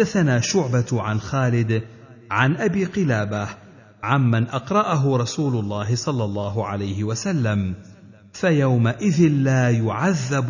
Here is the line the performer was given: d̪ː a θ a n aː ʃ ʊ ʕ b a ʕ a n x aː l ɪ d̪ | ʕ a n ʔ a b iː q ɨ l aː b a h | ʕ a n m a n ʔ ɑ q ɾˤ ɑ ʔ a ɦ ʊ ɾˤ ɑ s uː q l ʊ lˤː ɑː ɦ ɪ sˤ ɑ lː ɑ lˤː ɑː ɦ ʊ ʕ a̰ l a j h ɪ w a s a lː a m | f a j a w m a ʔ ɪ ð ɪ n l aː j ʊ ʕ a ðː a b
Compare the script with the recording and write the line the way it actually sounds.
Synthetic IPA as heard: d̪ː a θ a n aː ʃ ʊ ʕ b a ʕ a n x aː l ɪ d̪ | ʕ a n ʔ a b iː q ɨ l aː b a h | ʕ a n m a n ʔ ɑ q ɾˤ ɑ ʔ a ɦ ʊ ɾˤ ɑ s uː l ʊ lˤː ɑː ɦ ɪ sˤ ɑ lː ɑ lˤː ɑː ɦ ʊ ʕ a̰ l a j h ɪ w a s a lː a m | f a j a w m a ʔ ɪ ð ɪ n l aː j ʊ ʕ a ðː a b